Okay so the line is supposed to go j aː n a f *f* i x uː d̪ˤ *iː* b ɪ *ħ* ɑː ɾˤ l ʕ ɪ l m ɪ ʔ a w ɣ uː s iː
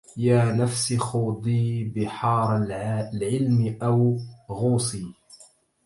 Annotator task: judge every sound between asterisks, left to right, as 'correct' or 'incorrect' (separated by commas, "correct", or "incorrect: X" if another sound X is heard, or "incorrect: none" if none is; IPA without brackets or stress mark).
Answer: incorrect: s, correct, correct